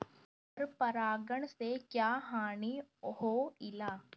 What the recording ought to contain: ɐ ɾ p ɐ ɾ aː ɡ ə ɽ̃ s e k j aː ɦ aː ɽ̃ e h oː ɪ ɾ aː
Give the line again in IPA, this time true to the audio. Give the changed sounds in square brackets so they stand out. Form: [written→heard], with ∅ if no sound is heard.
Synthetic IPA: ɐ ɾ p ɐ ɾ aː ɡ ə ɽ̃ s e k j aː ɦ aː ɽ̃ [e→i] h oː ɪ [ɾ→l] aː